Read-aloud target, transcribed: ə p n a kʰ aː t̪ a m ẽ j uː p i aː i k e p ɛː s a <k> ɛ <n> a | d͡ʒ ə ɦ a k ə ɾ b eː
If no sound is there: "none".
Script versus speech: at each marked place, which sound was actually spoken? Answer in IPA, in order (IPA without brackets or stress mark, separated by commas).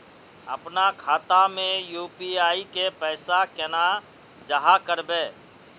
k, n